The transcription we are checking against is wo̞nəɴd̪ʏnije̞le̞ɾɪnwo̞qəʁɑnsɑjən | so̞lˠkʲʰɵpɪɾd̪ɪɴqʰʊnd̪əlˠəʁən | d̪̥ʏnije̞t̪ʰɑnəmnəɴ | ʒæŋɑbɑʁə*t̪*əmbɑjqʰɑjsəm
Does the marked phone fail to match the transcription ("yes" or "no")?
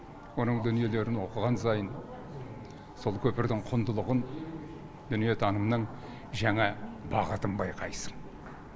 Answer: no